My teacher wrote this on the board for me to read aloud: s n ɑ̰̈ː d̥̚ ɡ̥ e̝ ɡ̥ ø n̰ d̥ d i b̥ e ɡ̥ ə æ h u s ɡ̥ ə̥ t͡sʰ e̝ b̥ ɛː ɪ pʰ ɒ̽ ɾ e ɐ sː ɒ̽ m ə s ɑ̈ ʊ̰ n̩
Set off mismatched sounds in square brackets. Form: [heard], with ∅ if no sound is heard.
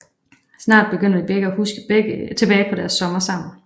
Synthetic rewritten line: s n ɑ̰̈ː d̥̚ [b̥] e̝ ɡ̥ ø n̰ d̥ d i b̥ e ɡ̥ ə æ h u s ɡ̥ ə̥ t͡sʰ e̝ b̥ ɛː ɪ pʰ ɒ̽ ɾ [æ] ɐ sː ɒ̽ m [ɐ] s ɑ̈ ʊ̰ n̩